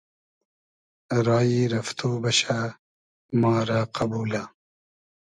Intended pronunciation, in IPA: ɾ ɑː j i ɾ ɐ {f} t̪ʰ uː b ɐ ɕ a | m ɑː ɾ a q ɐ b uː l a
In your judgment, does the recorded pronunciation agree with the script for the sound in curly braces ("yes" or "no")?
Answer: yes